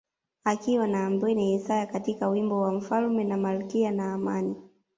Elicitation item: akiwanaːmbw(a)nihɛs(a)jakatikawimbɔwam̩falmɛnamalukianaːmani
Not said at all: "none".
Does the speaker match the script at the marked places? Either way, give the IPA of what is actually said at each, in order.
ɛ, a

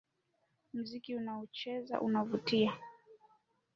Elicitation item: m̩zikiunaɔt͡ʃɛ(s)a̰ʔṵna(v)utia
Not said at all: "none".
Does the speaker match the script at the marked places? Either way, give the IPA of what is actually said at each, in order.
z, v

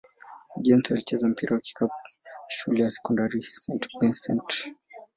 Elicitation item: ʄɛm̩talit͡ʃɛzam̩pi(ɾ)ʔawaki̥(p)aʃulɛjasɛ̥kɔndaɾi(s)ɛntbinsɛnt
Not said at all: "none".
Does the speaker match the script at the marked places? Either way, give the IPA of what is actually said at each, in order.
ɾ, k, s

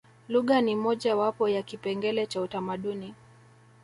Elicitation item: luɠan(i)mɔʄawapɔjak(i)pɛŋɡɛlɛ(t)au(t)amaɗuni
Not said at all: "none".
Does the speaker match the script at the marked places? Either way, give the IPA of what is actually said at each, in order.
i, i, t͡ʃ, t

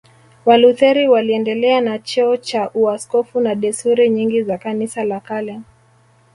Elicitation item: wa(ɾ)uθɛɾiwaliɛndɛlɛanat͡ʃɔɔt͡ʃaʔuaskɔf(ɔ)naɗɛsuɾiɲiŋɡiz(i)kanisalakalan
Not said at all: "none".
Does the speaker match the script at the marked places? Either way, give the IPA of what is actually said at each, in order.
l, u, a

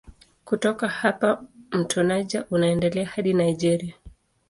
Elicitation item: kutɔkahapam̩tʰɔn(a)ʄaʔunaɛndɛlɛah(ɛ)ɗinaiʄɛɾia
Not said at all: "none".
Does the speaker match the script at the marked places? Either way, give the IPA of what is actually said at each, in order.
a, a

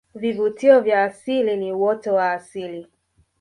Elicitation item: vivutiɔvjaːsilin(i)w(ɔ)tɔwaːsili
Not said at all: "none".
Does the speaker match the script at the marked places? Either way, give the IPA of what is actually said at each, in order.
i, ɔ

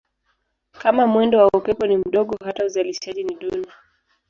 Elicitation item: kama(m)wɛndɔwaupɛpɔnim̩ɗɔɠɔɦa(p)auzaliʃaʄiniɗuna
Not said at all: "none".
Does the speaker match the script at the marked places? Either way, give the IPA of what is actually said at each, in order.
m, t

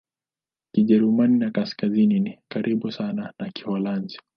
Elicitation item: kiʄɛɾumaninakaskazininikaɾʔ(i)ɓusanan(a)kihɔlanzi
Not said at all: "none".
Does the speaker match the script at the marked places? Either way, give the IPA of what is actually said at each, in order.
i, a

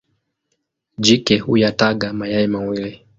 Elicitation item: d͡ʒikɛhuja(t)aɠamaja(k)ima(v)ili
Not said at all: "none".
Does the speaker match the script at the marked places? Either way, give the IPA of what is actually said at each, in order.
t, none, w

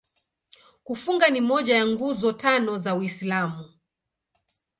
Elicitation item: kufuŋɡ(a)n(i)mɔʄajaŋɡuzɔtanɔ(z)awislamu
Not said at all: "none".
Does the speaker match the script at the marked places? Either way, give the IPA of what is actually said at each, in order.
a, i, z

